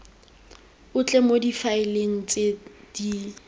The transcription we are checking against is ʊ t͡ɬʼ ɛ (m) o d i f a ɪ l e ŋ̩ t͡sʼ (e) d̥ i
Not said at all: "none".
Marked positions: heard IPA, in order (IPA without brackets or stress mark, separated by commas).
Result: m, e